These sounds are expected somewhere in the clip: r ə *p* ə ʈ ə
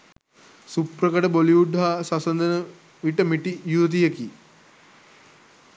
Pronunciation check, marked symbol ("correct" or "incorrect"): incorrect